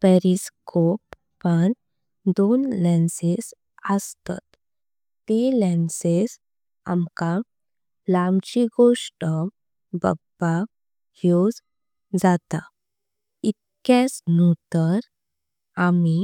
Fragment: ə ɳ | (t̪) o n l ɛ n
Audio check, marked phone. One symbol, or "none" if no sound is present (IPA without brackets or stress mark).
d̪